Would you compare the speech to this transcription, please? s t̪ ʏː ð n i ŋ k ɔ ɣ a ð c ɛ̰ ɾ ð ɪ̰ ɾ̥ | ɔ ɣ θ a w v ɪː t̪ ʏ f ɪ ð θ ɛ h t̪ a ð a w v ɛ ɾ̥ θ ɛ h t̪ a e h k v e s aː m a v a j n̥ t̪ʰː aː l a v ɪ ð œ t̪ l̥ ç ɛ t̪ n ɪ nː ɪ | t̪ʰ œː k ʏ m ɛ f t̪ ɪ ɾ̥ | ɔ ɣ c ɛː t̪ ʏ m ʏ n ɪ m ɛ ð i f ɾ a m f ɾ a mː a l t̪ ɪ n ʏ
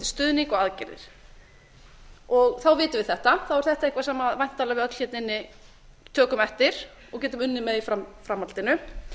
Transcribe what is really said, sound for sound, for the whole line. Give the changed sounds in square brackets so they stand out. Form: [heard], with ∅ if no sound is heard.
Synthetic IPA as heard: s t̪ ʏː ð n i ŋ k ɔ ɣ a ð c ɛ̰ ɾ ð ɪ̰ ɾ̥ | ɔ ɣ θ a w v ɪː t̪ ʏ [v] ɪ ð θ ɛ h t̪ a [θ] a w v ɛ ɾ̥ θ ɛ h t̪ a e h k v [a] s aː m a v a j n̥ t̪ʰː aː l a v ɪ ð œ t̪ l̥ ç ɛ t̪ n ɪ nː ɪ | t̪ʰ œː k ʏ m ɛ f t̪ ɪ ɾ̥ | ɔ ɣ c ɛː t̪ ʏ m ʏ [nː] ɪ m ɛ ð i f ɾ a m f ɾ a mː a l t̪ ɪ n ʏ